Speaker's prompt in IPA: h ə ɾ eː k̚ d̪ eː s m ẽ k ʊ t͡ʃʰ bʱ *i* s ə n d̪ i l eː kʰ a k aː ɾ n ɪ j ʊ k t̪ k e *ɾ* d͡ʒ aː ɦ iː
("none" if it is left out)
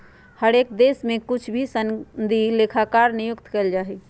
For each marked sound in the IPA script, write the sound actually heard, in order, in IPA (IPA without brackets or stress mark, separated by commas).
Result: i, l